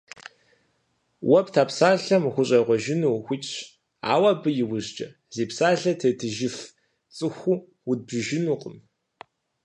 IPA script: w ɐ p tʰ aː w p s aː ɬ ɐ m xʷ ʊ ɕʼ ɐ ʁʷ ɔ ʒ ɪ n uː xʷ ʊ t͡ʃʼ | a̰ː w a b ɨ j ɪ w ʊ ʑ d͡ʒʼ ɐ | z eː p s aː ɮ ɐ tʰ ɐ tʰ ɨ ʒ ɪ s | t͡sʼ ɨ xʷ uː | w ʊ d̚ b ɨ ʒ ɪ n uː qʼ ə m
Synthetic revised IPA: w ɐ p tʰ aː p s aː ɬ ɐ m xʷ ʊ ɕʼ ɐ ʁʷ ɔ ʒ ɪ n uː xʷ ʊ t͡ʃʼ | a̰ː w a b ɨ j ɪ w ʊ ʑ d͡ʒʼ ɐ | z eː p s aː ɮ ɐ tʰ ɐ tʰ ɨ ʒ ɪ f | t͡sʼ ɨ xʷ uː | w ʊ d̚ b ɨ ʒ ɪ n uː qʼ ə m